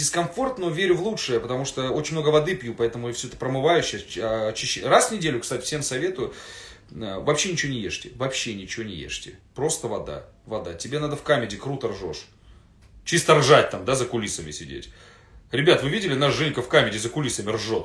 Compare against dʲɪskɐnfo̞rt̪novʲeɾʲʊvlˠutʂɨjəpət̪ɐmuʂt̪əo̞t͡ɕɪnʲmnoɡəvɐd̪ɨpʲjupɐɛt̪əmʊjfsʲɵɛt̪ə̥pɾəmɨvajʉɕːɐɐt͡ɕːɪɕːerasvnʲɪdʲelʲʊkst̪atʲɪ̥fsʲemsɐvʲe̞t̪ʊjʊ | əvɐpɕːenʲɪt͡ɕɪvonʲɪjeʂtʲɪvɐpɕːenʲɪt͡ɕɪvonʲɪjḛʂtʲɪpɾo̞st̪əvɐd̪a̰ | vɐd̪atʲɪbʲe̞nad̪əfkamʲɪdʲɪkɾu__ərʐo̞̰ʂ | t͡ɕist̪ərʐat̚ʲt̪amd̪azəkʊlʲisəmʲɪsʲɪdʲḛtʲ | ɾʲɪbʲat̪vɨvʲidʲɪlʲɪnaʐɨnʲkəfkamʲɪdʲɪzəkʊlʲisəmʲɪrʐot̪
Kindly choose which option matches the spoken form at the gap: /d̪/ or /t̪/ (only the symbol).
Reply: t̪